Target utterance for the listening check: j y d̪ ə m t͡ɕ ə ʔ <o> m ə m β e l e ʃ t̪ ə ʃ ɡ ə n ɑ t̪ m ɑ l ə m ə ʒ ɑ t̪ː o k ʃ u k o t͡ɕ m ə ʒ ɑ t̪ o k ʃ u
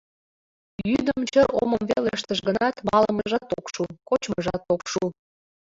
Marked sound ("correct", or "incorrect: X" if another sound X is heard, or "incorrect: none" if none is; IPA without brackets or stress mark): correct